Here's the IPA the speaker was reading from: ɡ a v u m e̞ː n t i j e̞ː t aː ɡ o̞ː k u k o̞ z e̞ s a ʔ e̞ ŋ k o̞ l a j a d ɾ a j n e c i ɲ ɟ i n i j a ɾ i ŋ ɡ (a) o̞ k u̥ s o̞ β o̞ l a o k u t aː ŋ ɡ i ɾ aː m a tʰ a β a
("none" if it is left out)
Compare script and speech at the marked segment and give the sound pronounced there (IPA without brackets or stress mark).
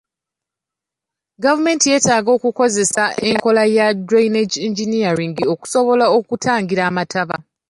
i